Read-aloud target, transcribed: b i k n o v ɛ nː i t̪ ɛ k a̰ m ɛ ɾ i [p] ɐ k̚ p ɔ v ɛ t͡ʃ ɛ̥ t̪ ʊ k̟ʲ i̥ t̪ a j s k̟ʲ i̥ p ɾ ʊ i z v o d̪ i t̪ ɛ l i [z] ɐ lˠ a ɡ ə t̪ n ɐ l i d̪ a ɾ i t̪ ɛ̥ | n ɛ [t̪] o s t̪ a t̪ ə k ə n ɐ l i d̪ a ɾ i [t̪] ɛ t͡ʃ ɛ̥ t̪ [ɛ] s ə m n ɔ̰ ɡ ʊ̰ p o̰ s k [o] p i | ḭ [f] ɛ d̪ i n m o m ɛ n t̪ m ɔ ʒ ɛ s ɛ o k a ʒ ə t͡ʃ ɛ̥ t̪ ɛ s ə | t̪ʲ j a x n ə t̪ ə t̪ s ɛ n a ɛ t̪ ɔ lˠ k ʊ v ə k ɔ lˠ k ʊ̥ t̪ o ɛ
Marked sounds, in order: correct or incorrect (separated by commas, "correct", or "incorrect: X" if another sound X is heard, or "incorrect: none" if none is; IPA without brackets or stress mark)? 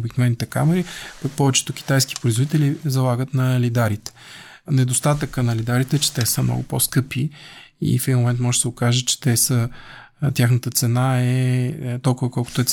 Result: correct, correct, incorrect: d̪, correct, correct, incorrect: ɤ, correct